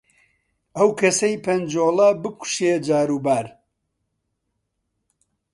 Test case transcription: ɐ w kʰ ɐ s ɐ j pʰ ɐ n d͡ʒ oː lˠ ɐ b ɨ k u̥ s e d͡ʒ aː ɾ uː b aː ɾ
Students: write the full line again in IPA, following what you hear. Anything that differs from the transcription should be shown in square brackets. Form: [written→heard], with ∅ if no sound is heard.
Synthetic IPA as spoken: ɐ w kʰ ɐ s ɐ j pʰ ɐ n d͡ʒ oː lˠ ɐ b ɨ k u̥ [s→ʃ] e d͡ʒ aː ɾ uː b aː ɾ